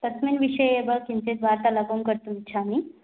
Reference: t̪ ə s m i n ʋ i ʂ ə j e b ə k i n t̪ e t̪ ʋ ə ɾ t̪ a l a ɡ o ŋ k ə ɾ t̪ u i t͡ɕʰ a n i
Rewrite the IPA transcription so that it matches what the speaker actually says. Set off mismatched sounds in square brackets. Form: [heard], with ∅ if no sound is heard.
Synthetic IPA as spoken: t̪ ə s m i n ʋ i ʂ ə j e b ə k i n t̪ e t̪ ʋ [a] ɾ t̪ a l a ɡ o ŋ k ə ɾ t̪ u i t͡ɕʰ a [m] i